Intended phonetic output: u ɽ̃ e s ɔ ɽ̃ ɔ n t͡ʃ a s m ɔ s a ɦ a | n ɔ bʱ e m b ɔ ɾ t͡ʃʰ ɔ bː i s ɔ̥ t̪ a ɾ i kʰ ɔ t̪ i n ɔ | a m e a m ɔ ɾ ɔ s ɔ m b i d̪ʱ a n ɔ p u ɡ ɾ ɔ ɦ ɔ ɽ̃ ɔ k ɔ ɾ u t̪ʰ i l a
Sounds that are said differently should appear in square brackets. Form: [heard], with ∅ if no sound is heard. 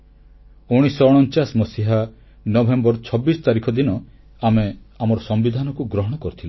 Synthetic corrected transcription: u ɽ̃ [i] s ɔ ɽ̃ ɔ n t͡ʃ a s m ɔ s [i] ɦ a | n ɔ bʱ e m b ɔ ɾ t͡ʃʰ ɔ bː i s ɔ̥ t̪ a ɾ i kʰ ɔ [d̪] i n ɔ | a m e a m ɔ ɾ ɔ s ɔ m b i d̪ʱ a n ɔ [k] u ɡ ɾ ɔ ɦ ɔ ɽ̃ ɔ k ɔ ɾ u t̪ʰ i l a